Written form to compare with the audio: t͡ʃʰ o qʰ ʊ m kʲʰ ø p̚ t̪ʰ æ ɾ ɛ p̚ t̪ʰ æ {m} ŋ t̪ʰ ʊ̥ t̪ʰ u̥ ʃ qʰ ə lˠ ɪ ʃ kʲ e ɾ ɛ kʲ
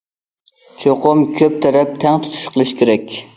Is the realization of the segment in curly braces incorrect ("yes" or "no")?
yes